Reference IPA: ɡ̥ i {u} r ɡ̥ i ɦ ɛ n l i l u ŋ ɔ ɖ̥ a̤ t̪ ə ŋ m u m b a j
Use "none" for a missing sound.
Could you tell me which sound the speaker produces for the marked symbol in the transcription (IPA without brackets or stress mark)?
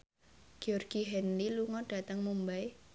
ɔ